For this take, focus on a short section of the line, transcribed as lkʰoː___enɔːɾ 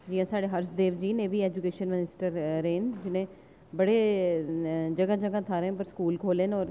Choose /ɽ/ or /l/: l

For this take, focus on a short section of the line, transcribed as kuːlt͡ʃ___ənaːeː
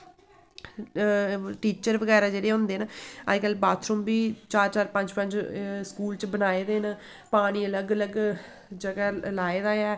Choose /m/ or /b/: b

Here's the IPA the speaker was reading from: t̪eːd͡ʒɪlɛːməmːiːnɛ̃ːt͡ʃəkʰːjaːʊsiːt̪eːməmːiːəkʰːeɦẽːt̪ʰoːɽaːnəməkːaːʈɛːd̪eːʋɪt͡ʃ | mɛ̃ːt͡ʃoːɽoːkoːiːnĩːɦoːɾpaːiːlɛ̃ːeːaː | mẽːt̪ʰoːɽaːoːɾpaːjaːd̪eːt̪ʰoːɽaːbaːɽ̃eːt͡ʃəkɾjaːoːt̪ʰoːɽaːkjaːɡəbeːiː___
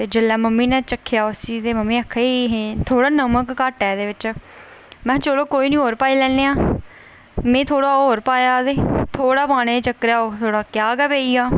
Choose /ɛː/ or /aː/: aː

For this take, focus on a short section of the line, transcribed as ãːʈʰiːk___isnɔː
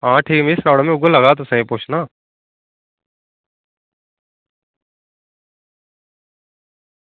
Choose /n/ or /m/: m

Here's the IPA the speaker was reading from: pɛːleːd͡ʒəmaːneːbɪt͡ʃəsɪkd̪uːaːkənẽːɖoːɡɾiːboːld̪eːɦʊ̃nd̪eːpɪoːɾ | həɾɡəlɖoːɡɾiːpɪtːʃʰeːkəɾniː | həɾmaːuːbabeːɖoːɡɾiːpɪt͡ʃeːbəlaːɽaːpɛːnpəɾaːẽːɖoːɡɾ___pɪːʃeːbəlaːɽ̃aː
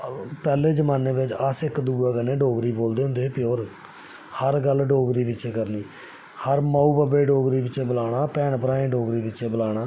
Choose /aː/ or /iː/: iː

